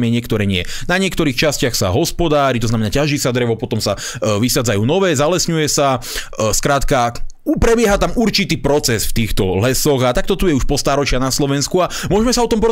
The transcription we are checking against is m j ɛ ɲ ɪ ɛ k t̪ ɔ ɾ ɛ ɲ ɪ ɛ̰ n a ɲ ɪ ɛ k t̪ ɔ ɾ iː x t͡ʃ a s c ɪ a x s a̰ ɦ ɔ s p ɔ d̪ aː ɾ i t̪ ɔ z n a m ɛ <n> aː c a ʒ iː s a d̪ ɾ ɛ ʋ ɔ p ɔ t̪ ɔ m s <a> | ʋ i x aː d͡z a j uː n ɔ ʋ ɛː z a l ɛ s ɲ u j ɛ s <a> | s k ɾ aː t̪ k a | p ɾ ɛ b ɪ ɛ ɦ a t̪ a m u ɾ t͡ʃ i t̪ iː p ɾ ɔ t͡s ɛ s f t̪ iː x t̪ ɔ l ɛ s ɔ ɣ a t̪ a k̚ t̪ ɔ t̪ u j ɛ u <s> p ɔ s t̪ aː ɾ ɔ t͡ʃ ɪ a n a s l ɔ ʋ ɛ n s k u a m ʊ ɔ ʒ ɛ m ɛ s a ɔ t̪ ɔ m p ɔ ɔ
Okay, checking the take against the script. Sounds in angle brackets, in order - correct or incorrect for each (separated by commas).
correct, correct, correct, incorrect